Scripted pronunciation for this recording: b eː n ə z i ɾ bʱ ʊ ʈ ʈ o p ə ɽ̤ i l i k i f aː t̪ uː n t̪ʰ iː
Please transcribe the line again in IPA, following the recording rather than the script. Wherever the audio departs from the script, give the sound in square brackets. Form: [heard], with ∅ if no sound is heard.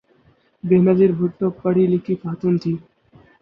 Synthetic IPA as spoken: b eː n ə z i ɾ bʱ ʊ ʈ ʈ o p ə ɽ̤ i l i k i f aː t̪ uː n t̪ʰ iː